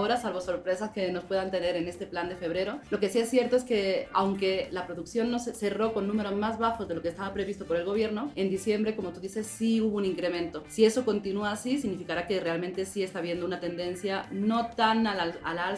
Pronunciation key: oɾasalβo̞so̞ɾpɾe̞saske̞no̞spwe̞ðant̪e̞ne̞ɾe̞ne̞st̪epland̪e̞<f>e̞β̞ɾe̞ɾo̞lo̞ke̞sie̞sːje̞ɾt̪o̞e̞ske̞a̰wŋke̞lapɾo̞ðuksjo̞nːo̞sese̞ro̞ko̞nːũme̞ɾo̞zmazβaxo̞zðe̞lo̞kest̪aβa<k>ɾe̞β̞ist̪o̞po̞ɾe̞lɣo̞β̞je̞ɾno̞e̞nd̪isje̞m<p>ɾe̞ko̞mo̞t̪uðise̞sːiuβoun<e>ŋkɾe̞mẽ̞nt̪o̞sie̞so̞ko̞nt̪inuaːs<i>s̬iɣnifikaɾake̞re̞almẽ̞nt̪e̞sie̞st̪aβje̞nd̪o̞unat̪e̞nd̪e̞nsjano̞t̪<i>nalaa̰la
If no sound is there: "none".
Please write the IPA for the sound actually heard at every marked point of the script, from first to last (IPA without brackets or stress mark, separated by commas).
f, p, b, i, i, a